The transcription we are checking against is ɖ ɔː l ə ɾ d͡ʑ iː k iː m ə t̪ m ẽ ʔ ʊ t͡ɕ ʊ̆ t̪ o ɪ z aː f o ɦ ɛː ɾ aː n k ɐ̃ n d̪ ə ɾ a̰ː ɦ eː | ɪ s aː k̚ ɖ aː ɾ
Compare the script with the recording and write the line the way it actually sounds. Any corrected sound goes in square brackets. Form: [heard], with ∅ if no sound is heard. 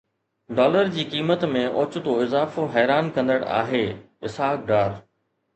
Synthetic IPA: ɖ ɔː l ə ɾ d͡ʑ iː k iː m ə t̪ m ẽ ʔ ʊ t͡ɕ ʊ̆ t̪ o ɪ z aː f o ɦ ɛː ɾ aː n k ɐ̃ n d̪ ə [ɽ] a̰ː ɦ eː | ɪ s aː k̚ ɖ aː ɾ